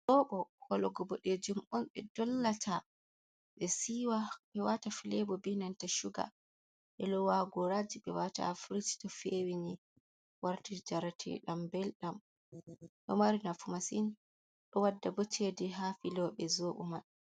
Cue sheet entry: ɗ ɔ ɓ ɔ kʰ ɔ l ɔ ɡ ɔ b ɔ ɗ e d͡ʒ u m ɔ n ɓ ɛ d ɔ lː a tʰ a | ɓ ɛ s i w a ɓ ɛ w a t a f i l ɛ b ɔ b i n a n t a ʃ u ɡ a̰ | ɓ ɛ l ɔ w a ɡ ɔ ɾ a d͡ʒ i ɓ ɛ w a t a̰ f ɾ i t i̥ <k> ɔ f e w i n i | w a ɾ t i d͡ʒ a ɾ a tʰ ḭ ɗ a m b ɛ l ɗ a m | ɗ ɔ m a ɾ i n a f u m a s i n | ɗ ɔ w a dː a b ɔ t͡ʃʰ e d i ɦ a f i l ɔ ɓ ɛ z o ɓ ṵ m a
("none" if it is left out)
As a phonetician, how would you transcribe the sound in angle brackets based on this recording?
t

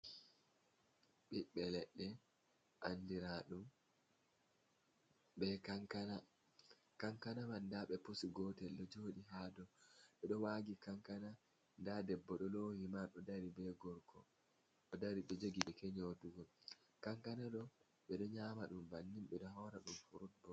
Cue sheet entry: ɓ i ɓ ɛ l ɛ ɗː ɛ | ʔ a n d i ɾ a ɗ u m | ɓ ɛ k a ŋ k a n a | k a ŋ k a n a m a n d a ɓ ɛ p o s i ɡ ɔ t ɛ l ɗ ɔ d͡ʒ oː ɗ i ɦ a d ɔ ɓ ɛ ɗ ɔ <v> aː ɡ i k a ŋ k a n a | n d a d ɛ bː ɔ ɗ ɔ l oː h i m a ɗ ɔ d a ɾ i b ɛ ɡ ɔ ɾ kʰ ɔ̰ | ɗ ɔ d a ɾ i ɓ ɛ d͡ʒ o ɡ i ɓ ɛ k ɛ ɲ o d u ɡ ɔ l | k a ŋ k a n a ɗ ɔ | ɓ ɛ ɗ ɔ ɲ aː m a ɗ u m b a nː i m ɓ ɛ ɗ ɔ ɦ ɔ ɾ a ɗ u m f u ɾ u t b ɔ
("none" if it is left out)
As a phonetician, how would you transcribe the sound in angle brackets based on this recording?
w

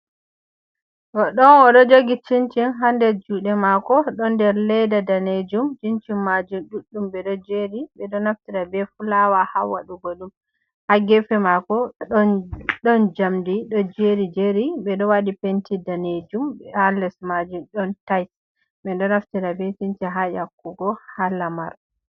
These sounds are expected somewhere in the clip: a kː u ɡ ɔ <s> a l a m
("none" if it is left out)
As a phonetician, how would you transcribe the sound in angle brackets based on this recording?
h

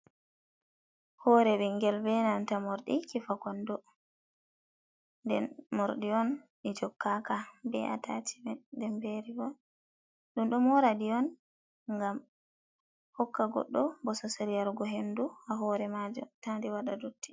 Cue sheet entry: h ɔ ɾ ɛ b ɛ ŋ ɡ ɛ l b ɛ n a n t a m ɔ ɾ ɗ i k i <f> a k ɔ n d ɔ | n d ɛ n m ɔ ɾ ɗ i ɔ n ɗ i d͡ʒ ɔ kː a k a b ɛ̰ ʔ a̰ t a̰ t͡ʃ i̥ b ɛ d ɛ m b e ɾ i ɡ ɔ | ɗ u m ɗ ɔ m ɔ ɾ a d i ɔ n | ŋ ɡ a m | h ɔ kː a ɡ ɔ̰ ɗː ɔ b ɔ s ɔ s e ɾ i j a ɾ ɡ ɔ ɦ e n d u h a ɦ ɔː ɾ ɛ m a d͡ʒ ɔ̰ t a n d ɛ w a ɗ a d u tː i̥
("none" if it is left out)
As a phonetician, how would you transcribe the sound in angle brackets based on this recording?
f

